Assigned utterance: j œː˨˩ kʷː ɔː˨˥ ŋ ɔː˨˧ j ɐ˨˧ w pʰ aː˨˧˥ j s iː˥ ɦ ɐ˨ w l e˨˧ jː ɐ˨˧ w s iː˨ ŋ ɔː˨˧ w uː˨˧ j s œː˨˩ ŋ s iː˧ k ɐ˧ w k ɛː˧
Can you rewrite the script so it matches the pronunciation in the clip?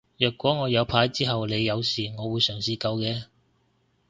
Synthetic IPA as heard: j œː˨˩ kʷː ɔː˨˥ ŋ ɔː˨˧ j ɐ˨˧ w pʰ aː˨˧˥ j t͡s iː˥ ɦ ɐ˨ w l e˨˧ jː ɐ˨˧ w s iː˨ ŋ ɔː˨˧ w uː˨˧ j s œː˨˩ ŋ s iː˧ k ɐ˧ w k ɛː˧